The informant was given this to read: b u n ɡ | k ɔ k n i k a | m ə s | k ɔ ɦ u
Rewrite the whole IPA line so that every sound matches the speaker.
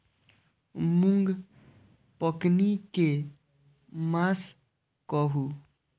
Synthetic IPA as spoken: m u ŋ ɡ | p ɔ k n i k e | m a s | k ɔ ɦ u